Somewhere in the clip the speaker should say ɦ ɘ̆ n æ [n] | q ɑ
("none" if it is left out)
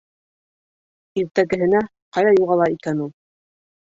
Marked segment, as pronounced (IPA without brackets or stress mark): none